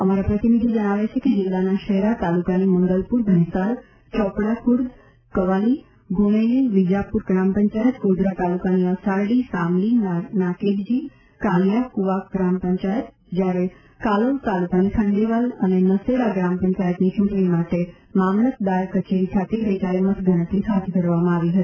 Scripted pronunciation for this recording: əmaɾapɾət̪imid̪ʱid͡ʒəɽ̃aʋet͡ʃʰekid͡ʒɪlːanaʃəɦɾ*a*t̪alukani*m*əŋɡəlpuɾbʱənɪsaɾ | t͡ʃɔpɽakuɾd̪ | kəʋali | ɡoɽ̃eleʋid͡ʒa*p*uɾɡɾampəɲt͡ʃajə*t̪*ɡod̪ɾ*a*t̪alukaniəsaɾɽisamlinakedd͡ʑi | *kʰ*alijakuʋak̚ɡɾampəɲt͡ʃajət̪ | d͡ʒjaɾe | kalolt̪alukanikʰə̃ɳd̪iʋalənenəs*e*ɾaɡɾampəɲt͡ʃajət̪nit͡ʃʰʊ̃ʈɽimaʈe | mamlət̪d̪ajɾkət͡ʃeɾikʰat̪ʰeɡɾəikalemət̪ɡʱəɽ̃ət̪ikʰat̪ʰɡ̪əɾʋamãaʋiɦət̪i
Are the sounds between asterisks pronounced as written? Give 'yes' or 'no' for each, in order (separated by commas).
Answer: yes, yes, yes, yes, yes, no, yes